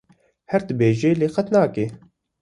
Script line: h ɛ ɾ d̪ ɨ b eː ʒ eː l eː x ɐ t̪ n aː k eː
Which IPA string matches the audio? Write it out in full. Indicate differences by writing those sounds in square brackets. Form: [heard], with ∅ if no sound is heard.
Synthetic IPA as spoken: h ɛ ɾ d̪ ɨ b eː ʒ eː l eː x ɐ t̪ n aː k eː

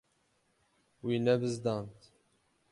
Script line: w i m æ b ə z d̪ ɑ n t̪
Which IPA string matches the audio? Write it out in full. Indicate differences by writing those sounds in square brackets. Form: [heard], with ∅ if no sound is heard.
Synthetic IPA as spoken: w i [n] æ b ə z d̪ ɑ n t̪

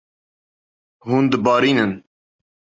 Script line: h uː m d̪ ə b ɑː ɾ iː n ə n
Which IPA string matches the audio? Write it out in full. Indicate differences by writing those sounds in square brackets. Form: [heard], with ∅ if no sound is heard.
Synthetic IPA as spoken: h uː [n] d̪ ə b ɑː ɾ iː n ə n

